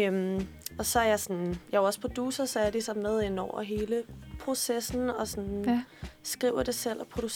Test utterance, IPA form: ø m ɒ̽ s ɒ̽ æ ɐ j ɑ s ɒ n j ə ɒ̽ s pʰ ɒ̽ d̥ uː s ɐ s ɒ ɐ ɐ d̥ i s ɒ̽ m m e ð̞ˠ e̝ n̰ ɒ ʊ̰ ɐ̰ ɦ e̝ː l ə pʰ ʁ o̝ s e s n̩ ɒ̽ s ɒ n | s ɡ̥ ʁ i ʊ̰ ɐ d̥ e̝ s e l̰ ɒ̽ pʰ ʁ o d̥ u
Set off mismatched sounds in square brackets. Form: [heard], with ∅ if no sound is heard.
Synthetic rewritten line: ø m ɒ̽ s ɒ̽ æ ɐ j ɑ s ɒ n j [ɑ] ɒ̽ s pʰ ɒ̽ d̥ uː s ɐ s ɒ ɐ ɐ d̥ i s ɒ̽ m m e ð̞ˠ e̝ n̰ ɒ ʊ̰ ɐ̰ ɦ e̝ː l ə pʰ ʁ o̝ s e s n̩ ɒ̽ s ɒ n | s ɡ̥ ʁ i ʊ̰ ɐ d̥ e̝ s e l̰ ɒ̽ pʰ ʁ o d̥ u